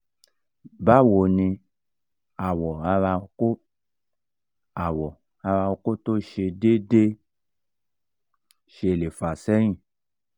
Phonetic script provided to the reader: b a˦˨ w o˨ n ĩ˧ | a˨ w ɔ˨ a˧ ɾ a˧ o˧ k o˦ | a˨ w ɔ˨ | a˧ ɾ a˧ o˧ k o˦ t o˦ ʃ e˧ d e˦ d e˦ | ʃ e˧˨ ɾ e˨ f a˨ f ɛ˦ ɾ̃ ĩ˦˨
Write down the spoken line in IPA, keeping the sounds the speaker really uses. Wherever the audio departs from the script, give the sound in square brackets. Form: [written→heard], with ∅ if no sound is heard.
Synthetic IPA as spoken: b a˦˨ w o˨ n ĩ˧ | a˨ w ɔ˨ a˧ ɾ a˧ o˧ k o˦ | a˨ w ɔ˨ | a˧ ɾ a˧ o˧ k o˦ t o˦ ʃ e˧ d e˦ d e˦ | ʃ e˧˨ [ɾ→l] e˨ f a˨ [f→s] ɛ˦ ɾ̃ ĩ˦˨